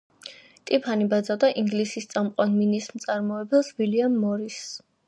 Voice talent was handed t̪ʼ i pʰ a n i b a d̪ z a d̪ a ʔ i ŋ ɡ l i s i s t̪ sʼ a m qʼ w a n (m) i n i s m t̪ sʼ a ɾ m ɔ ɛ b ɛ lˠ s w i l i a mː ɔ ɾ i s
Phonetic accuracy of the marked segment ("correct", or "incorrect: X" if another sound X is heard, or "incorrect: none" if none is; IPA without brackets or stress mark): correct